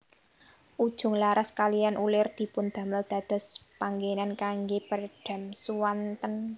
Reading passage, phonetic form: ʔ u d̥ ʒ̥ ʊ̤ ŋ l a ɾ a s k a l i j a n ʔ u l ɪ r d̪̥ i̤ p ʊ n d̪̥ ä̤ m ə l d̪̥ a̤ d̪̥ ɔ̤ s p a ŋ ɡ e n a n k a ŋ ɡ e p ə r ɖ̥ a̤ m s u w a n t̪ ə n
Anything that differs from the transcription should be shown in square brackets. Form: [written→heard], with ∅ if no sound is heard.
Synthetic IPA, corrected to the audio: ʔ u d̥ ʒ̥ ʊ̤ ŋ l a ɾ a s k a l i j a n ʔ u l ɪ r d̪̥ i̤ p ʊ n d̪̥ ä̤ m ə l d̪̥ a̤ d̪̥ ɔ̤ s p a ŋ ɡ e n a n k a ŋ ɡ e p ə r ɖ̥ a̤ m s u w a n t̪ ə n

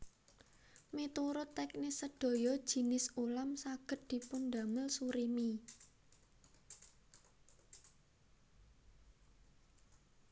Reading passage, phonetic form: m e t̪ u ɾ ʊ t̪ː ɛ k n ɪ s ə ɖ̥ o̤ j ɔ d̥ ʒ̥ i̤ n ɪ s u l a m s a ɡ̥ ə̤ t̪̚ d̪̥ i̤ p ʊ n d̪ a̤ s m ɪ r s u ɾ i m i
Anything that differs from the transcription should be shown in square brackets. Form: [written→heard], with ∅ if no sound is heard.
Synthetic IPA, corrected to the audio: m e t̪ u ɾ ʊ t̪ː ɛ k n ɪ s ə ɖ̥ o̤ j ɔ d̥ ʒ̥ i̤ n ɪ s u l a m s a ɡ̥ ə̤ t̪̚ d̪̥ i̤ p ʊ n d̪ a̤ [s→∅] m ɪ [r→l] s u ɾ i m i

